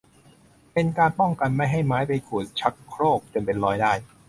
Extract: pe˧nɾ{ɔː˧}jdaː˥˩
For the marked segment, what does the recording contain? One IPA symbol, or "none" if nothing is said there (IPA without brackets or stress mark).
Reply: ɔː˧